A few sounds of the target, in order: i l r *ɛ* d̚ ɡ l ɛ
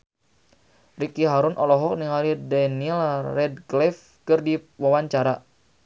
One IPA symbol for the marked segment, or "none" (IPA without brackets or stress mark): ɛ